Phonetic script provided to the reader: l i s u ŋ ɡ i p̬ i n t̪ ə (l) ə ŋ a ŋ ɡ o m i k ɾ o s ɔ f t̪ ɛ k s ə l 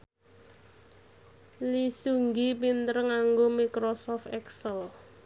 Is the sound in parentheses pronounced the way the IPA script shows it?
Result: no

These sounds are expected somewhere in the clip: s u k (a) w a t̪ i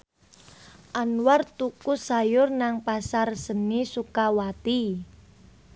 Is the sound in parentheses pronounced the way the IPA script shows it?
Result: yes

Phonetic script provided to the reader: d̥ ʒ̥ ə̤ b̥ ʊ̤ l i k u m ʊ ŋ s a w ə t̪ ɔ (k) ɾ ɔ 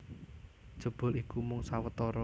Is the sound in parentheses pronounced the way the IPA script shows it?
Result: no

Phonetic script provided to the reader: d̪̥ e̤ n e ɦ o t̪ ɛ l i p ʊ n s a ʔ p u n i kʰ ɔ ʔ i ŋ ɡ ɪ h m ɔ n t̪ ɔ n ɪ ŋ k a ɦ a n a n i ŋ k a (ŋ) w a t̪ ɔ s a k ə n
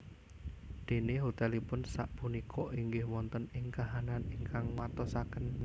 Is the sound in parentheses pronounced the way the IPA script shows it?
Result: yes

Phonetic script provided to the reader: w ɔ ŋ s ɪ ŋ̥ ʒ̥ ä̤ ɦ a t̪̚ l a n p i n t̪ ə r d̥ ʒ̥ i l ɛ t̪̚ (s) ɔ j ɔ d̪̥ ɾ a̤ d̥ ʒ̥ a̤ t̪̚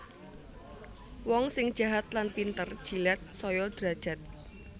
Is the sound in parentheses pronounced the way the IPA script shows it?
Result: yes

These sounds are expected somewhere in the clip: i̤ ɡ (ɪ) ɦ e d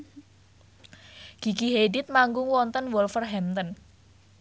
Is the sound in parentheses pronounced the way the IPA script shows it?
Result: no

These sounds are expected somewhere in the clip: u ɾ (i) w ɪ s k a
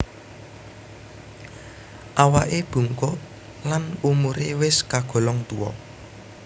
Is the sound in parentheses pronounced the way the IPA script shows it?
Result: no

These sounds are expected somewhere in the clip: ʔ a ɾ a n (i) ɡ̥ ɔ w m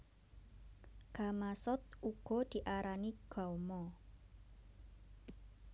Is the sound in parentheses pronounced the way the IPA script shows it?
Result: yes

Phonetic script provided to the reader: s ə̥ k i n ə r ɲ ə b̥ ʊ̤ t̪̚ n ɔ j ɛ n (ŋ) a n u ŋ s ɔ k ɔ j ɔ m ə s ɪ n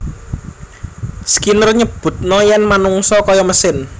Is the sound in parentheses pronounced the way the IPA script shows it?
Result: no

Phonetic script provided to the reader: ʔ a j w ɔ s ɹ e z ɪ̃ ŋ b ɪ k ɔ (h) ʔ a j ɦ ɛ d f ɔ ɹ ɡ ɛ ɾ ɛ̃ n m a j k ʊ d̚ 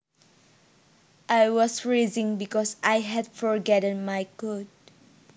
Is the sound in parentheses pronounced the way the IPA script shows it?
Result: no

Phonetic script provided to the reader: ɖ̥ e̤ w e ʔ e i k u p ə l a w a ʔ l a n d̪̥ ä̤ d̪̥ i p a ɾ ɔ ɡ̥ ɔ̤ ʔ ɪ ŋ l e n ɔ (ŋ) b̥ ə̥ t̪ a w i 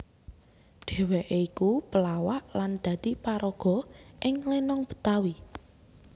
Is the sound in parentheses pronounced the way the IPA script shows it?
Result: yes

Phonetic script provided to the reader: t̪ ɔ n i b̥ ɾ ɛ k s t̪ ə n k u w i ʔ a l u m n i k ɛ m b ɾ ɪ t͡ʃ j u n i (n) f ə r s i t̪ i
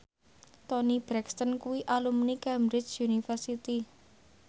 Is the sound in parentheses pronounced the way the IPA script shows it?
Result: no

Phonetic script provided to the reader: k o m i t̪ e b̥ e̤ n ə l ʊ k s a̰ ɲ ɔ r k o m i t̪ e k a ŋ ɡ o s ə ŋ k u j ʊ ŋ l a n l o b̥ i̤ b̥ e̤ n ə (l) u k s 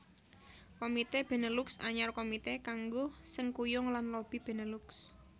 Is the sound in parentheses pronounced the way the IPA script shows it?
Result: yes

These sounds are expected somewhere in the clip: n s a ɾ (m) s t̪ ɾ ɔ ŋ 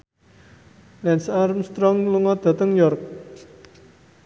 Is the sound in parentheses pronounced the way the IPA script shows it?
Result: yes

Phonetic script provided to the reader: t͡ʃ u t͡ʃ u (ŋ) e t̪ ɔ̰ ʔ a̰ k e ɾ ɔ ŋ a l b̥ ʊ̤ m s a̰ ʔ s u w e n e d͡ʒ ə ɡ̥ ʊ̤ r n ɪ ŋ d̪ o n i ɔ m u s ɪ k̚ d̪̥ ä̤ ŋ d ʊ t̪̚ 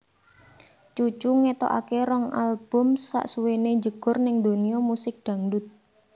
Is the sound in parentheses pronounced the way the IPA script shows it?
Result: yes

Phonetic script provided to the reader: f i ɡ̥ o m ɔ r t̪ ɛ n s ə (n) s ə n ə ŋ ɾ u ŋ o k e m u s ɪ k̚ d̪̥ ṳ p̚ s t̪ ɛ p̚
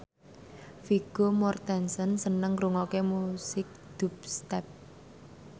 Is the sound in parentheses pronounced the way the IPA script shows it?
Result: yes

